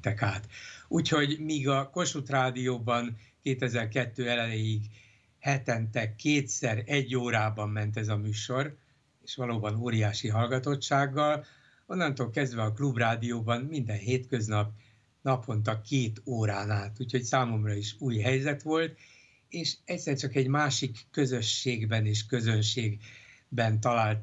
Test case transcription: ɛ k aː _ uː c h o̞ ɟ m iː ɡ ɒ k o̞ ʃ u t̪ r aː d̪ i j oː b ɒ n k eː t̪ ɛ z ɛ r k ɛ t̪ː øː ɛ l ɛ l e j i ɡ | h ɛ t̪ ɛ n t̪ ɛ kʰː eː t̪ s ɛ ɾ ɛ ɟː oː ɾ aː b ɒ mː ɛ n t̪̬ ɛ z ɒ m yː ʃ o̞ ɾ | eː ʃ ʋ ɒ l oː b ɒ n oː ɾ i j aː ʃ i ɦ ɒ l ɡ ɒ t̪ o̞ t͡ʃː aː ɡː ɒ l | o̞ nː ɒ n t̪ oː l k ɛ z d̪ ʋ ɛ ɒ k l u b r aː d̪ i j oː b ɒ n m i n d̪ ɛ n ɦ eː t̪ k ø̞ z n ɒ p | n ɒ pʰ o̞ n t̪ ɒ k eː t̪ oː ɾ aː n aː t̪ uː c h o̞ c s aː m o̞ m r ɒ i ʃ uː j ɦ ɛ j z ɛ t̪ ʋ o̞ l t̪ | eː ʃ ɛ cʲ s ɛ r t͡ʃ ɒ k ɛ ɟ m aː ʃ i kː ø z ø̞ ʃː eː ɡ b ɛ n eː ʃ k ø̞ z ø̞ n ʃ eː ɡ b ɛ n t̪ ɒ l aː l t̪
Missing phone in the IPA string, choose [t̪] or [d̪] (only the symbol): t̪